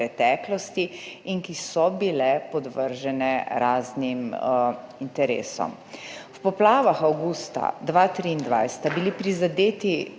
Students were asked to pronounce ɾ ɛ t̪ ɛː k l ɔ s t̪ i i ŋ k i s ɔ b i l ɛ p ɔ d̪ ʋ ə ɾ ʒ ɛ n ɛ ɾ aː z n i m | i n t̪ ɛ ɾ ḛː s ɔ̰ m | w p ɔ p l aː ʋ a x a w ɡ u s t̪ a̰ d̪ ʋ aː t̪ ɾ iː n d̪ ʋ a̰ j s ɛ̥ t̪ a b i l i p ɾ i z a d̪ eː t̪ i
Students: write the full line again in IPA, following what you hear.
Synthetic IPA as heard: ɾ ɛ t̪ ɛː k l ɔ s t̪ i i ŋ k i s ɔ b i l ɛ p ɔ d̪ ʋ ə ɾ ʒ ɛ n ɛ ɾ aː z n i m | i n t̪ ɛ ɾ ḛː s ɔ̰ m | w p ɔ p l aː ʋ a x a w ɡ u s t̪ a̰ d̪ ʋ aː t̪ ɾ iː n d̪ ʋ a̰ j s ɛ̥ t̪ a b i l i p ɾ i z a d̪ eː t̪ i